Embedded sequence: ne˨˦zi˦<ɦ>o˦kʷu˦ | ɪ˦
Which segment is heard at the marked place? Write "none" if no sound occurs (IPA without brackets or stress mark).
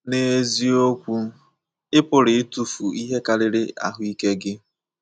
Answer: none